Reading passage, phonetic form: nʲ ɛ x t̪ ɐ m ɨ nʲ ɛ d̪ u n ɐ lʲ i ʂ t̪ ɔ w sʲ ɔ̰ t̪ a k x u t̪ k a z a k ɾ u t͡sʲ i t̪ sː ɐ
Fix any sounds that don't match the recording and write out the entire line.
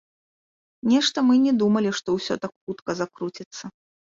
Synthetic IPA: nʲ ɛ ʂ t̪ ɐ m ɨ nʲ ɛ d̪ u m ɐ lʲ i ʂ t̪ ɔ w sʲ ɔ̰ t̪ a k x u t̪ k ɐ z a k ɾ u t͡sʲ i t̪ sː ɐ